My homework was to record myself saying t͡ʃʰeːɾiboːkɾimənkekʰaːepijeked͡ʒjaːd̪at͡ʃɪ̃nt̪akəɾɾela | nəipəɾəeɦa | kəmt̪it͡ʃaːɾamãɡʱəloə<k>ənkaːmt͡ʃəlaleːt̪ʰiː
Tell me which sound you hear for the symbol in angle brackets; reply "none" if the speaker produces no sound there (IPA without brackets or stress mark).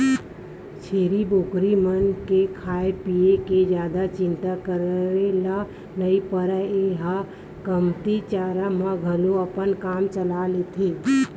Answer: p